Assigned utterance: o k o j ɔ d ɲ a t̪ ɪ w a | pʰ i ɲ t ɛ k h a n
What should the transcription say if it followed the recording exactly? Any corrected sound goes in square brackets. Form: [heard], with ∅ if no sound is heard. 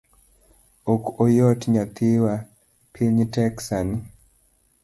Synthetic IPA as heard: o k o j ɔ [t] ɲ a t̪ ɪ w a | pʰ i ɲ t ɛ k [s] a n